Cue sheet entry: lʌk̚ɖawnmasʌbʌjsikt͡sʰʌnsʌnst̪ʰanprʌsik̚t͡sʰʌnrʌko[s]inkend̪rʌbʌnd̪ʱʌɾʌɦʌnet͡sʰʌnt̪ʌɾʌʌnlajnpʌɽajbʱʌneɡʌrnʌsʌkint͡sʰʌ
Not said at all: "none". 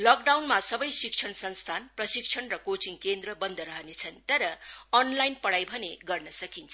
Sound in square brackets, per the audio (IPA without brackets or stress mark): t͡s